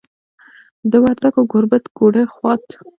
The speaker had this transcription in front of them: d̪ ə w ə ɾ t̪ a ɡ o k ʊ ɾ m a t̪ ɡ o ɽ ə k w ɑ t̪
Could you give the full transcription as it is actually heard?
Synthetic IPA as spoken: d̪ ə w a ɾ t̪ a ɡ o ɡ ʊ ɾ b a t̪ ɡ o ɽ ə x w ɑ t̪

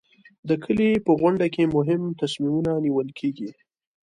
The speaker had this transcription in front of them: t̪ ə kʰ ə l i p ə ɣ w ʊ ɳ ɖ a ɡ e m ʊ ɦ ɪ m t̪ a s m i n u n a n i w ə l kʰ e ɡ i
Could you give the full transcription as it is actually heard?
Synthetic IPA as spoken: d̪ ə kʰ ə l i p ə ɣ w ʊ ɳ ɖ a k e m ʊ ɦ ɪ m t̪ a s m i m u n a n i w ə l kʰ e ɡ i

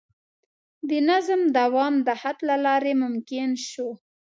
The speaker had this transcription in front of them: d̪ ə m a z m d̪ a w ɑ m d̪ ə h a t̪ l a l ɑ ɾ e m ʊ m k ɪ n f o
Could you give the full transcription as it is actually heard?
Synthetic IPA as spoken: d̪ ə n a z m d̪ a w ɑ m d̪ ə h a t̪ l a l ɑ ɾ e m ʊ m k ɪ n ʃ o

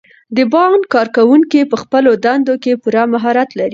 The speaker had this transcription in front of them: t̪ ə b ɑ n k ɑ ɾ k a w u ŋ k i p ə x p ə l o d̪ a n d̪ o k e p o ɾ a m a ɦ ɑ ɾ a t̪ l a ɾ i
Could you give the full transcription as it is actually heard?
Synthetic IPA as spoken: d̪ ə b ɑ n k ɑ ɾ k a w u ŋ k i p ə x p ə l o d̪ a n d̪ o k e p u ɾ a m a ɦ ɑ ɾ a t̪ l a ɾ i

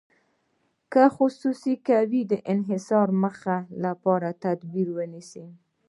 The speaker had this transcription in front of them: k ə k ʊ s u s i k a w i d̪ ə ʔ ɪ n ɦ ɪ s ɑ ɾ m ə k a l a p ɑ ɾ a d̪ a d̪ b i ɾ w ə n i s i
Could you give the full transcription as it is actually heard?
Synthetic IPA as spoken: k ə x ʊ s u s i k a w i d̪ ə ʔ ɪ n ɦ ɪ s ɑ ɾ m ə x a l a p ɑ ɾ a t̪ a d̪ b i ɾ w ə n i s i

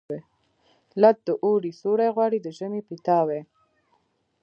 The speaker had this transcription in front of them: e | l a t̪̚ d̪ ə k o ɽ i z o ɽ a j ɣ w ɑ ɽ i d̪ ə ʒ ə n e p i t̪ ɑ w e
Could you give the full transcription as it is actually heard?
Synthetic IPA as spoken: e | l a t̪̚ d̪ ə ʔ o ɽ i s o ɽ a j ɣ w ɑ ɽ i d̪ ə ʒ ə m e p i t̪ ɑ w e

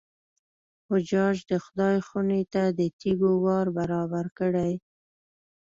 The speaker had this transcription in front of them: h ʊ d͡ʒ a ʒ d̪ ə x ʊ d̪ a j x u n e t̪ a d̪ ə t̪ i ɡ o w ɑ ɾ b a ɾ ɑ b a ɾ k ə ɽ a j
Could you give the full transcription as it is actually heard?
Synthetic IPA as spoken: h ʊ d͡ʒ ɑ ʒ d̪ ə x ʊ d̪ ɑ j x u n e t̪ a d̪ ə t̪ i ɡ o w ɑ ɾ b a ɾ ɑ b a ɾ k ə ɽ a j

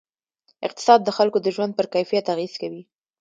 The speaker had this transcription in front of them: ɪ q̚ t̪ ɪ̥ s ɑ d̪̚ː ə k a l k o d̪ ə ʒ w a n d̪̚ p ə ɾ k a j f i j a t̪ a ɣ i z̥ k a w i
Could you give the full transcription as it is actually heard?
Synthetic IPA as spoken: ɪ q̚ t̪ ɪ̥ s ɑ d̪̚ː ə x a l k o d̪ ə ʒ w a n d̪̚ p ə ɾ k a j f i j a t̪ a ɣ i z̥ k a w i

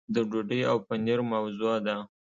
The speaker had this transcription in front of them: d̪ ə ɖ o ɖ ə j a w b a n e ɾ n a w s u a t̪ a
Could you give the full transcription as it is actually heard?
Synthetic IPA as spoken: d̪ ə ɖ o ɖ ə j a w p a n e ɾ m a w z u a d̪ a

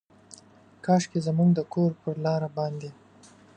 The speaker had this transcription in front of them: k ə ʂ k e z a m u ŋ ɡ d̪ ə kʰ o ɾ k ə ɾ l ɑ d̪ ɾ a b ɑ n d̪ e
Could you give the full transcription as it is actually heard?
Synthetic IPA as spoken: k ɑ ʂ k e z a m u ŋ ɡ d̪ ə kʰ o ɾ p ə ɾ l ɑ ɾ a b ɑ n d̪ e

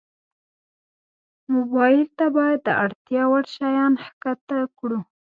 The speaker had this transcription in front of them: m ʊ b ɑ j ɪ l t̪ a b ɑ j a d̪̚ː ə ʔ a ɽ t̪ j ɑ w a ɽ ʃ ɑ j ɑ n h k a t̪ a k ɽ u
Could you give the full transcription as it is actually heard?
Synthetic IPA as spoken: m ʊ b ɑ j ɪ l t̪ a b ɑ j a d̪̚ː ə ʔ a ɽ t̪ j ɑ w a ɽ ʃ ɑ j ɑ n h k a t̪ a k ɽ u

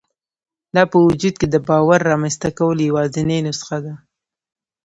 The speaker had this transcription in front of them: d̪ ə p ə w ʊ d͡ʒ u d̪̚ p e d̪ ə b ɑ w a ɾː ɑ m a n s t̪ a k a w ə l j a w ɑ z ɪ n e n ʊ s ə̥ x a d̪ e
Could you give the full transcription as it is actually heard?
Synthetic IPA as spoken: d̪ ɑ p ə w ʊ d͡ʒ u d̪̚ k e d̪ ə b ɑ w a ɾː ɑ m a n s t̪ a k a w ə l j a w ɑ z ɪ n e n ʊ s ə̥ x a d̪ a

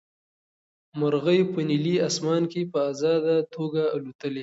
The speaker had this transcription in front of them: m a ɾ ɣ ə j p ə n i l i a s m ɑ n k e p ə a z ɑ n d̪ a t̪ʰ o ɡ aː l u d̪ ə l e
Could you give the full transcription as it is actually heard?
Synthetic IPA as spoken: m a ɾ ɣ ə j p ə n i l i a s m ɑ n k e p ə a z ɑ d̪ a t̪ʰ o ɡ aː l u t̪ ə l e

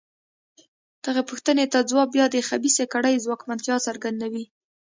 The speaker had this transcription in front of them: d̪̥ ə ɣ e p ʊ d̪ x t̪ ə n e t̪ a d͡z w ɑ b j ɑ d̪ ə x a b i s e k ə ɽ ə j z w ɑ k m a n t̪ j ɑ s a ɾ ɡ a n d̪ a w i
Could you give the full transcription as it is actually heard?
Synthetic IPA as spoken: d̪̥ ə ɣ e p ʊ x t̪ ə n e t̪ a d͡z w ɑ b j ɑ d̪ ə x a b i s e k a ɽ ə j z w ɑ k m a n t̪ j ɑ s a ɾ ɡ a n d̪ a w i

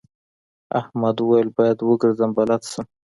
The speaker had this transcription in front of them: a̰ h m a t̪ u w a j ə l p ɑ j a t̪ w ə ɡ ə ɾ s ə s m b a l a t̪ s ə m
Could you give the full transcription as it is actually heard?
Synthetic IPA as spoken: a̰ h m a d̪ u w a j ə l b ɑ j a d̪ w ə ɡ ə ɾ z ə m b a l a t̪ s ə m

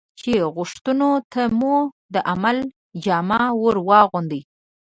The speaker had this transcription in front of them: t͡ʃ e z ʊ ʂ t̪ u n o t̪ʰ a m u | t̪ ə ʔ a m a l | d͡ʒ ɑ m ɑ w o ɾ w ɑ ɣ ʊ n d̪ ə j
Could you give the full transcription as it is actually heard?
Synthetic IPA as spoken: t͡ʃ e ɣ ʊ ʂ t̪ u n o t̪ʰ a m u | d̪ ə ʔ a m a l | d͡ʒ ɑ m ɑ w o ɾ w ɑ ɣ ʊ n d̪ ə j

